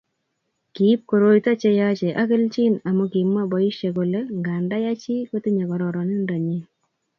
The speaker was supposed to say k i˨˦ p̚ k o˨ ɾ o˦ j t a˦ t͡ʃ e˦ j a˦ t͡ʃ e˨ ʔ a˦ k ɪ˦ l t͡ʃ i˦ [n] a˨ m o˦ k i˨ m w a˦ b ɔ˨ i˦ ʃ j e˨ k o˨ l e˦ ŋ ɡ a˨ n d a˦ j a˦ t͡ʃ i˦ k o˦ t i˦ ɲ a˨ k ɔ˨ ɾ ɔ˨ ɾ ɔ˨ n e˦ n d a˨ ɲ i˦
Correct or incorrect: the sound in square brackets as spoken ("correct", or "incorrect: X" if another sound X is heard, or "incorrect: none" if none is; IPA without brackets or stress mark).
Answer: correct